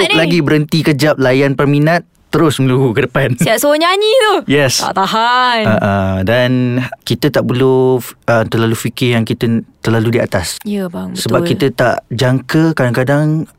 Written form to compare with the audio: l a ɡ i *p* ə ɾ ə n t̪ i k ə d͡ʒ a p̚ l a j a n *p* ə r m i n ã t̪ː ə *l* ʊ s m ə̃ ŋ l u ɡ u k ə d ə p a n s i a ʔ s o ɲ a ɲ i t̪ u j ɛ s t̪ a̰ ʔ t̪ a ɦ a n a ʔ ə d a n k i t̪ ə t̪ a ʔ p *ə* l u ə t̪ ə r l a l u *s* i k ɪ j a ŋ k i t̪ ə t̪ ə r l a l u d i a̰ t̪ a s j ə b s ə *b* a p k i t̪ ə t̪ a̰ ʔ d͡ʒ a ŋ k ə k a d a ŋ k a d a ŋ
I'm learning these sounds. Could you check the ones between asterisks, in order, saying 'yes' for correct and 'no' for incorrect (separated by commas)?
no, yes, no, yes, no, yes